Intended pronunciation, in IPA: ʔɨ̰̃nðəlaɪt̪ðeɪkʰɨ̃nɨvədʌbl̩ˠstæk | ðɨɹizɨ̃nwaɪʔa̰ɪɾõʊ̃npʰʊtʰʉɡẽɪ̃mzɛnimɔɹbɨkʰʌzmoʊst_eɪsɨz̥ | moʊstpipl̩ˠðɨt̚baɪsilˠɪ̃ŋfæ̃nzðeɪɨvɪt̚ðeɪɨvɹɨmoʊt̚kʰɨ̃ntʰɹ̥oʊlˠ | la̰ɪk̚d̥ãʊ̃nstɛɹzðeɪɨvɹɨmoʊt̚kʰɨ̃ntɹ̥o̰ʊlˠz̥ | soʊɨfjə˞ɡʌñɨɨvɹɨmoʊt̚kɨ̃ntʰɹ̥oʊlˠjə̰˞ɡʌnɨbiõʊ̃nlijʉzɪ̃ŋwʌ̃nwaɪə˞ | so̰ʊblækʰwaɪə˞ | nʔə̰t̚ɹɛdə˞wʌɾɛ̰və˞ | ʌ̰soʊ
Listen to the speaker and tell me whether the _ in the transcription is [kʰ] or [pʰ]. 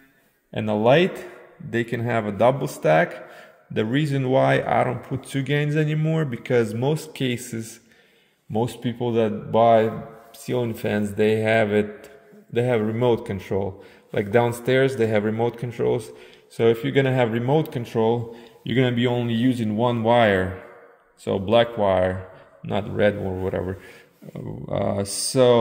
kʰ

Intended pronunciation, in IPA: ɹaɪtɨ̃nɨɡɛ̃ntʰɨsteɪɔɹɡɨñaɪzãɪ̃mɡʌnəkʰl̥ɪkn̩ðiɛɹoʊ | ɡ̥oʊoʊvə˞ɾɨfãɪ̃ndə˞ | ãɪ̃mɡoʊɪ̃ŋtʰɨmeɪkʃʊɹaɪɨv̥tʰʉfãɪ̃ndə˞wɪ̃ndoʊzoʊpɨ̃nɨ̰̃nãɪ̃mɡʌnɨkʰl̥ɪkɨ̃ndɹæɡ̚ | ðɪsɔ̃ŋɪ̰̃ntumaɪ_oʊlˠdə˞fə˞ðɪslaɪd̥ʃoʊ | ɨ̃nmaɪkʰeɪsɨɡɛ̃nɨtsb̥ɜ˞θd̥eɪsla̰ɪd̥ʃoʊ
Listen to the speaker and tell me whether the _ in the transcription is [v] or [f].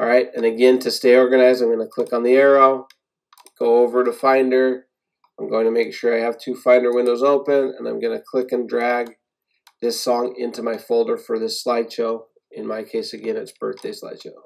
f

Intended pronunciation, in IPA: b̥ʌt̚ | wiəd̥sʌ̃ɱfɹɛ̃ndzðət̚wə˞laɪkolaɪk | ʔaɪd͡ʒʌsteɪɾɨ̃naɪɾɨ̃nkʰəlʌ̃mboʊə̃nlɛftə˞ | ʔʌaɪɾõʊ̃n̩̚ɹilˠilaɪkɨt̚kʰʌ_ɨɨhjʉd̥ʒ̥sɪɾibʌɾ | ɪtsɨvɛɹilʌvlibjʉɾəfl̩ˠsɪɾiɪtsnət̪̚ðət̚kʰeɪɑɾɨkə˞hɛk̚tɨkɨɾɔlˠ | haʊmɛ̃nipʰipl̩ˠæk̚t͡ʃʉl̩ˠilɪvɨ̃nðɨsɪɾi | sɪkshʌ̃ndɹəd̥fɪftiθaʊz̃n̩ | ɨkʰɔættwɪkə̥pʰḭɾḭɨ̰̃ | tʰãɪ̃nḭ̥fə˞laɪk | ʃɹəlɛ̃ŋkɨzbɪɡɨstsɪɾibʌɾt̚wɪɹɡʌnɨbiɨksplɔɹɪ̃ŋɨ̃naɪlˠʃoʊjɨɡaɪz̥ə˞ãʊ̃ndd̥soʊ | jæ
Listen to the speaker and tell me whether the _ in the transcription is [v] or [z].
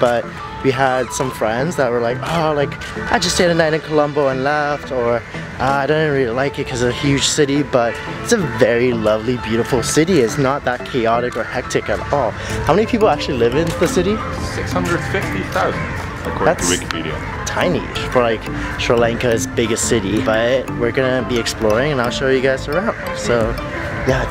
z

